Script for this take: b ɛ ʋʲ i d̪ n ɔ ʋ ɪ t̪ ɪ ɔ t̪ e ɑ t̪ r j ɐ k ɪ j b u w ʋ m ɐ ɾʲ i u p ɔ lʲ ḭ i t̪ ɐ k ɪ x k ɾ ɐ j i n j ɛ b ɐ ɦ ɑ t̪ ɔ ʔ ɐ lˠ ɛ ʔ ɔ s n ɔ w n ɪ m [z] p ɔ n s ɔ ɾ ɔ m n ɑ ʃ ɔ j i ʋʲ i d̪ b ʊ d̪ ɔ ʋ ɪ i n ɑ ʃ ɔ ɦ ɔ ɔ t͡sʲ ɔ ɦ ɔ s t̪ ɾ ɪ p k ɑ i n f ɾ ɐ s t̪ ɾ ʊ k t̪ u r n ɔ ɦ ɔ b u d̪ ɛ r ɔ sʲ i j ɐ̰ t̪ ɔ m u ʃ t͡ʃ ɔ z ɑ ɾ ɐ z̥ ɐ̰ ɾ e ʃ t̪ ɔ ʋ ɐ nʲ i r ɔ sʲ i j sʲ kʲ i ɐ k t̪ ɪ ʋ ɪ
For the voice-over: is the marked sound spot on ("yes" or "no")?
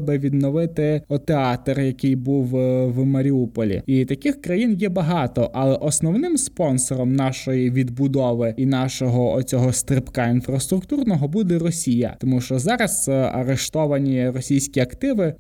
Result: no